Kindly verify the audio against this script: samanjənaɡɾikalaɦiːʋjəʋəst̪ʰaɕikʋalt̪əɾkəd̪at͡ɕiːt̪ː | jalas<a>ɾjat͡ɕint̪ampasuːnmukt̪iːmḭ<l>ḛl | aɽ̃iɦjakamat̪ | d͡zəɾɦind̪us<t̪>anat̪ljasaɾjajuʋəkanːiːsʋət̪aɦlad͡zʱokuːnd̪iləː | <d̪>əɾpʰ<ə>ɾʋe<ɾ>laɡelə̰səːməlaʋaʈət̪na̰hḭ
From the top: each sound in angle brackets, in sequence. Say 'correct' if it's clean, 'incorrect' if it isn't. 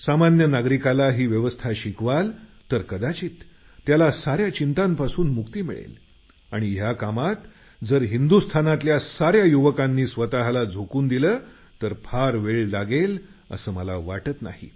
correct, incorrect: ɭ, incorrect: t̪ʰ, incorrect: t̪, incorrect: a, incorrect: ɭ

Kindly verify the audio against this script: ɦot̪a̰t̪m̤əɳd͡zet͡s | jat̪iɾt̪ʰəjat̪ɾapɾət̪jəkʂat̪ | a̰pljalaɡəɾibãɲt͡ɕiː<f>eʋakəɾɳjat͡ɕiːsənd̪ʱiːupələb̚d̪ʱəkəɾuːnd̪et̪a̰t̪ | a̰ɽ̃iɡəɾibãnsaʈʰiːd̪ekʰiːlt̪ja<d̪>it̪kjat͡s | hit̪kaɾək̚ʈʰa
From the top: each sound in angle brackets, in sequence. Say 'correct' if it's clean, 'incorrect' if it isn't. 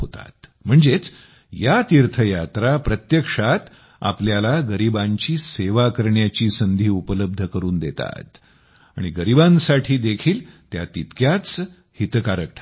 incorrect: s, incorrect: t̪

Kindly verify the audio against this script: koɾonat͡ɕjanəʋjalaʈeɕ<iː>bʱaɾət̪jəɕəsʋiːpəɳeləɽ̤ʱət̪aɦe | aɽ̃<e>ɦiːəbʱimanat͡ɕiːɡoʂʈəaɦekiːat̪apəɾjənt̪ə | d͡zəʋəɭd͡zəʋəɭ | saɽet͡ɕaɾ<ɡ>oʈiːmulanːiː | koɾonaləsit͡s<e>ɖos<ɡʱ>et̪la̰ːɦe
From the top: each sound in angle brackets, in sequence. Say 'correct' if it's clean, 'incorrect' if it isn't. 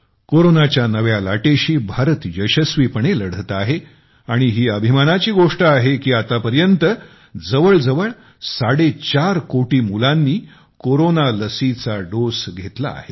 correct, incorrect: i, incorrect: k, incorrect: a, correct

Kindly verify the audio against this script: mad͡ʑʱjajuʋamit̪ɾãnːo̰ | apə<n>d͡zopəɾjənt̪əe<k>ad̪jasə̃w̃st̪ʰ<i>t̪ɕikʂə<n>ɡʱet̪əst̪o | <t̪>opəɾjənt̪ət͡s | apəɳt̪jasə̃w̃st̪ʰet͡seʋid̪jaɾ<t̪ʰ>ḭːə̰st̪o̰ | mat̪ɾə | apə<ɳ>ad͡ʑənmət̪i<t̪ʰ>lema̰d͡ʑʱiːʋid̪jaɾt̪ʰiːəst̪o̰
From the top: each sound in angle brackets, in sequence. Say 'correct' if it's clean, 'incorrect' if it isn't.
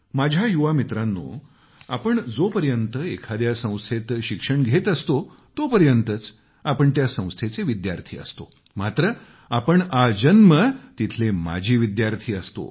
incorrect: ɳ, incorrect: kʰ, incorrect: e, incorrect: ɳ, correct, correct, correct, correct

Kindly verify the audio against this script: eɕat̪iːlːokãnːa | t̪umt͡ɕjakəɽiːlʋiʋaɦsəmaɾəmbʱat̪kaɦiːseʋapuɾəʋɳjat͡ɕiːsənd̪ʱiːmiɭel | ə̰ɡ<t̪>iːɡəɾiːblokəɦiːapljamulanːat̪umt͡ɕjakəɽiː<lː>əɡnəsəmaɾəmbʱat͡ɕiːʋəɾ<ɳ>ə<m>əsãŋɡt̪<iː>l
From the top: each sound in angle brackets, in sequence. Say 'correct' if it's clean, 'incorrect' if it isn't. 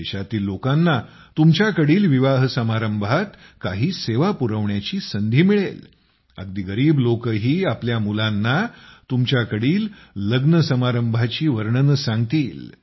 incorrect: d̪, correct, correct, incorrect: n, correct

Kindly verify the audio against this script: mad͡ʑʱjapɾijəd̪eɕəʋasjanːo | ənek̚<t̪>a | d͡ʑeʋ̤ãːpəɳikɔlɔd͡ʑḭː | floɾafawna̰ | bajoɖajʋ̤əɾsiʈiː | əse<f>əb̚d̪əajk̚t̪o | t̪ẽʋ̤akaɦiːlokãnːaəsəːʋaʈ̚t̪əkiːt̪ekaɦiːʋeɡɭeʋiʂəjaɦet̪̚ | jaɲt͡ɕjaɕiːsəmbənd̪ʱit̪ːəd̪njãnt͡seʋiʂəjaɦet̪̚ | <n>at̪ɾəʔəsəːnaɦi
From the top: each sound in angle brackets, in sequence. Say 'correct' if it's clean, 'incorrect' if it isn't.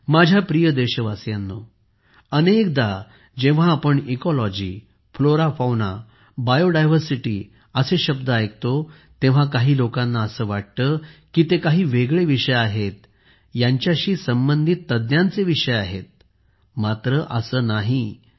incorrect: d̪, incorrect: ɕ, incorrect: m

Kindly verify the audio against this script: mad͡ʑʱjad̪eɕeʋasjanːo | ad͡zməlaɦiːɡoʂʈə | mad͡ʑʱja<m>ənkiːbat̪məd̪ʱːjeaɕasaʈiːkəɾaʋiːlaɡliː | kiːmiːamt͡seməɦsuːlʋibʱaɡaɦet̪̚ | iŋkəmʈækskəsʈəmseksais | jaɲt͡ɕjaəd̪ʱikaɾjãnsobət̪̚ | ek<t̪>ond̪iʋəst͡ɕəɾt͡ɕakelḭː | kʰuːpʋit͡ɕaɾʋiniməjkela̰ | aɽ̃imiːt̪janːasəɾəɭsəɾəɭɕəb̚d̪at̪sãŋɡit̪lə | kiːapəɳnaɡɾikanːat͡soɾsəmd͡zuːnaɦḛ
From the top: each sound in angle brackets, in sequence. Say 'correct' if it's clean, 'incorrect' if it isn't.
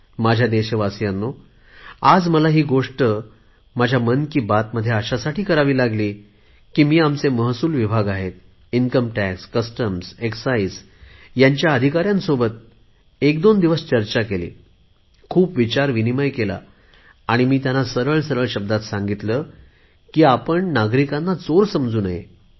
correct, incorrect: d̪

